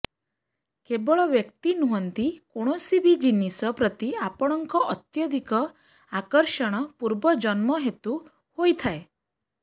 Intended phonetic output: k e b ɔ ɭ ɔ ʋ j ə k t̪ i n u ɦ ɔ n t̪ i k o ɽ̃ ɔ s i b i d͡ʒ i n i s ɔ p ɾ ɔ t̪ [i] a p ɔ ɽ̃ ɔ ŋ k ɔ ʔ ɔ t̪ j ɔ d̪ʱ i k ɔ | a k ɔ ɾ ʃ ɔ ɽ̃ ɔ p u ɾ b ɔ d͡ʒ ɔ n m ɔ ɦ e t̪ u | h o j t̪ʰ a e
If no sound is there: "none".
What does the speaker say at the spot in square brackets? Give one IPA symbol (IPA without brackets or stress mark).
i